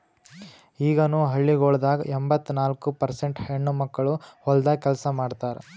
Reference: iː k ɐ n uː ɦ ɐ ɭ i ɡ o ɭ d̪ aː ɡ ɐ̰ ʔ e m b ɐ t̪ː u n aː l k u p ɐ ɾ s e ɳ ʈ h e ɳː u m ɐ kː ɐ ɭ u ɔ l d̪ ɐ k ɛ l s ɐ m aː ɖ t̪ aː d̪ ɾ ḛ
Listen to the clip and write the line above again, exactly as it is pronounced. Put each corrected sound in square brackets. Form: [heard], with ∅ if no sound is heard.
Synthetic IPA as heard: iː [ɡ] ɐ n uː ɦ ɐ [ɭː] i ɡ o ɭ d̪ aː ɡ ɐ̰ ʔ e m b ɐ t̪ː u n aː l k u p ɐ ɾ s e ɳ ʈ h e ɳː u m ɐ kː ɐ ɭ u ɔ l d̪ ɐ k ɛ l s ɐ m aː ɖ t̪ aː [∅] ɾ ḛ

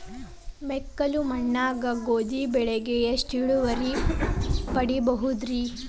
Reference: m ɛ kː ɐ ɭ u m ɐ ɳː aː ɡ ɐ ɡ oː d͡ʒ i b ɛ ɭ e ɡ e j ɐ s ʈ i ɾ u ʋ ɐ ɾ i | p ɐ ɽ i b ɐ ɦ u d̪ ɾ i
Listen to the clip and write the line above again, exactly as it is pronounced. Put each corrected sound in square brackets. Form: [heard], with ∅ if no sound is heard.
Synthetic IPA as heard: m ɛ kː ɐ [l] u m ɐ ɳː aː ɡ ɐ ɡ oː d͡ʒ i b ɛ ɭ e ɡ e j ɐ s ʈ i [ɭ] u ʋ ɐ ɾ i | p ɐ ɽ i b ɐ ɦ u d̪ ɾ i

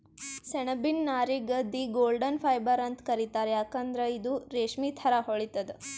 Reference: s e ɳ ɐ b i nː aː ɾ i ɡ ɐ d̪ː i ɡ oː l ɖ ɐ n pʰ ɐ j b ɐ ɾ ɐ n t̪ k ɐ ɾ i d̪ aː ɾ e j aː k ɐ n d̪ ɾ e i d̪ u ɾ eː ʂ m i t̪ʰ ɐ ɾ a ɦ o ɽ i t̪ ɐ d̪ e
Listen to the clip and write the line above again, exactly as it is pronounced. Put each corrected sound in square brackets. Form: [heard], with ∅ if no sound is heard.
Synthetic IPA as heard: s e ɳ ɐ b i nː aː ɾ i ɡ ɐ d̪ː i ɡ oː l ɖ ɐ n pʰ ɐ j b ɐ ɾ ɐ n t̪ k ɐ ɾ i [t̪] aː ɾ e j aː k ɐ n d̪ ɾ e i d̪ u ɾ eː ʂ m i t̪ʰ ɐ ɾ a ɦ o [ɭ] i t̪ ɐ d̪ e

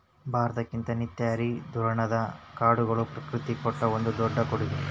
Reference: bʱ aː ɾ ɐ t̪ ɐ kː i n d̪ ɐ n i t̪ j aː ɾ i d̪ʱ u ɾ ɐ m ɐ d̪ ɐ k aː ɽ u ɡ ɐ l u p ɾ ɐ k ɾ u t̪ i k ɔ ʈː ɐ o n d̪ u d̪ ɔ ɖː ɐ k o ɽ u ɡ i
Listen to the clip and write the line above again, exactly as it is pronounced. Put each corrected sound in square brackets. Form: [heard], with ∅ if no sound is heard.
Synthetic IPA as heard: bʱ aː ɾ ɐ t̪ ɐ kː i n [t̪] ɐ n i t̪ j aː ɾ i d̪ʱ u ɾ ɐ [ɳ] ɐ d̪ ɐ k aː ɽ u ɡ ɐ [ɭ] u p ɾ ɐ k ɾ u t̪ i k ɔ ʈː ɐ o n d̪ u d̪ ɔ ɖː ɐ k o ɽ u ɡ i

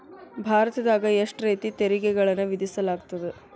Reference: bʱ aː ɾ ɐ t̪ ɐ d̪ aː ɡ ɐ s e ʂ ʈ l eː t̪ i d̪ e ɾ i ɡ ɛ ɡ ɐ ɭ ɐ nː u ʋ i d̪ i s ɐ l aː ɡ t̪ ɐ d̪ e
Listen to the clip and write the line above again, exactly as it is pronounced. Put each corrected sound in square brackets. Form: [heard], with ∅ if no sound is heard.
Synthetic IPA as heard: bʱ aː ɾ ɐ t̪ ɐ d̪ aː ɡ ɐ [∅] e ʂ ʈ [ɾ] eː t̪ i [t̪] e ɾ i ɡ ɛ ɡ ɐ ɭ ɐ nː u ʋ i d̪ i s ɐ l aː ɡ t̪ ɐ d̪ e

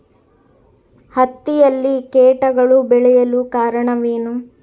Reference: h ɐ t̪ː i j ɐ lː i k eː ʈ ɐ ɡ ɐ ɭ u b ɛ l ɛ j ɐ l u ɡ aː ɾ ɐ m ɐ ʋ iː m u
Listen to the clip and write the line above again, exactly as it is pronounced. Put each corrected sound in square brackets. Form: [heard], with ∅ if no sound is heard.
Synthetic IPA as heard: h ɐ t̪ː i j ɐ lː i k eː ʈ ɐ ɡ ɐ ɭ u b ɛ [ɭ] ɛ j ɐ l u [k] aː ɾ ɐ [ɳ] ɐ ʋ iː [n] u

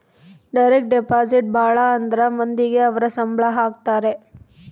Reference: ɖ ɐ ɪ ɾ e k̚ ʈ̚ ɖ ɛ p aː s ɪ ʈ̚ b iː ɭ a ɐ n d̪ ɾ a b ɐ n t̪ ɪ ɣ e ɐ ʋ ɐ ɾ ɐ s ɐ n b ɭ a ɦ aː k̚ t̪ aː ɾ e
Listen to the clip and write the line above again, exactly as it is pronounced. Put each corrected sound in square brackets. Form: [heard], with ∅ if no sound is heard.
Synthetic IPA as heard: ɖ ɐ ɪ ɾ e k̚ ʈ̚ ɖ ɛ p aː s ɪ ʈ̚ b [aː] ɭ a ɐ n d̪ ɾ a [m] ɐ n [d̪] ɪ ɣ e ɐ ʋ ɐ ɾ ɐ s ɐ [m] b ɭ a ɦ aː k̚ t̪ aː ɾ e

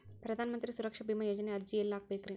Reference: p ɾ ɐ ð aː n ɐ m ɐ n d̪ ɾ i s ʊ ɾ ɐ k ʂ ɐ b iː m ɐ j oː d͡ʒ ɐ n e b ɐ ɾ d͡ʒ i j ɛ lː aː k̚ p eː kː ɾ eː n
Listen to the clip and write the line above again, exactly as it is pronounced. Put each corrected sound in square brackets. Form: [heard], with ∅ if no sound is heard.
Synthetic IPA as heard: p ɾ ɐ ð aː n ɐ m ɐ n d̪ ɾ i s ʊ ɾ ɐ k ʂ ɐ b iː m ɐ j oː d͡ʒ ɐ n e [∅] ɐ ɾ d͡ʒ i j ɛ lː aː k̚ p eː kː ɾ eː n

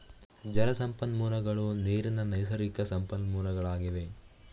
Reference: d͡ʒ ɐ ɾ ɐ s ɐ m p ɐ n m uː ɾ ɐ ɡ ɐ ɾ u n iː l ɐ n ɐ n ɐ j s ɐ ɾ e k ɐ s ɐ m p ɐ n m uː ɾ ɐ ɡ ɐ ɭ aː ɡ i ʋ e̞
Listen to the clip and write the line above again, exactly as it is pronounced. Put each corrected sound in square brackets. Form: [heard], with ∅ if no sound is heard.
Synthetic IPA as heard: d͡ʒ ɐ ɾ ɐ s ɐ m p ɐ n m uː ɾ ɐ ɡ ɐ [ɭ] u n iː [ɾ] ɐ n ɐ n ɐ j s ɐ ɾ [i] k ɐ s ɐ m p ɐ n m uː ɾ ɐ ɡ ɐ ɭ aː ɡ i ʋ e̞

